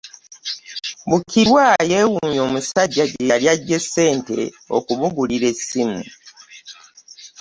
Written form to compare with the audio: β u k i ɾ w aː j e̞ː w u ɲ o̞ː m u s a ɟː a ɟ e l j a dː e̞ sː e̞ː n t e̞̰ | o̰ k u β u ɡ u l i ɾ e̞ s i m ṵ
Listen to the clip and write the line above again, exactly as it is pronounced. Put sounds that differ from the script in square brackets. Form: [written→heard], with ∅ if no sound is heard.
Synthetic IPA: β u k i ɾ w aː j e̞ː w u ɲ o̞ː m u s a ɟː a ɟ e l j a [dː→ɟː] e̞ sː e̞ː n t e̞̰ | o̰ k u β u ɡ u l i ɾ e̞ s i m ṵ